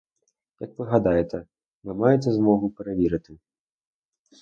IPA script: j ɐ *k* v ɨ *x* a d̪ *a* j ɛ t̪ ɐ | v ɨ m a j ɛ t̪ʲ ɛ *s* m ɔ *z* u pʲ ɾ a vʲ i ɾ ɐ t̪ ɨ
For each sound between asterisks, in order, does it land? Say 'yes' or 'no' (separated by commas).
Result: yes, no, yes, no, no